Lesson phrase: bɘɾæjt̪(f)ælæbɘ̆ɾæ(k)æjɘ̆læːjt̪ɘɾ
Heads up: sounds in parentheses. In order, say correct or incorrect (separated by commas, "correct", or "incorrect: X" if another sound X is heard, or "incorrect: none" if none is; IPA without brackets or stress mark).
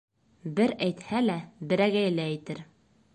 incorrect: h, incorrect: ɡ